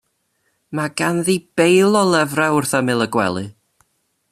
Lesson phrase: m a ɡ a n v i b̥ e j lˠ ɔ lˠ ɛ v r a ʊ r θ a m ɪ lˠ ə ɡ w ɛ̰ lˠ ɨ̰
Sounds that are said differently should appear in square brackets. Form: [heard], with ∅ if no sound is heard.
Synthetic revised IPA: m a ɡ a n [ð] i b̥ e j lˠ ɔ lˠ ɛ v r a ʊ r θ a m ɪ lˠ ə ɡ w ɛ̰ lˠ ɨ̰